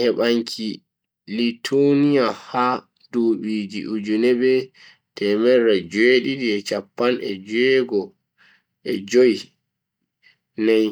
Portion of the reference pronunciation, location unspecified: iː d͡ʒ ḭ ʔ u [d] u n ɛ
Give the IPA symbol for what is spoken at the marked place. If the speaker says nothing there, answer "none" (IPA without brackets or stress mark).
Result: d͡ʒ